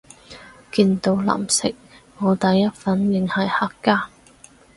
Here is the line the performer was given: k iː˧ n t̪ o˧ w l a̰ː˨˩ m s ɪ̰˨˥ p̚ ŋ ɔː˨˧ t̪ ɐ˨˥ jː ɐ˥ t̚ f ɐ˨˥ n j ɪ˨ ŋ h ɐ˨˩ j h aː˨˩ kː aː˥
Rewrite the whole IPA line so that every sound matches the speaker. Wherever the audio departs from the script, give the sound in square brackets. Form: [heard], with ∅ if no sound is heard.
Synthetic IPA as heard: k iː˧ n t̪ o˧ w l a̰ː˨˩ m s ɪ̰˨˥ [k̚] ŋ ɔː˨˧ t̪ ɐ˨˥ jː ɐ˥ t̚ f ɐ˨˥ n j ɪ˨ ŋ h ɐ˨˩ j h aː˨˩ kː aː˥